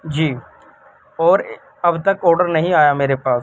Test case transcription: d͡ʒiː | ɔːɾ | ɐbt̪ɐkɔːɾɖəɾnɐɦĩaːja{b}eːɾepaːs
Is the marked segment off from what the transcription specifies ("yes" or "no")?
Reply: yes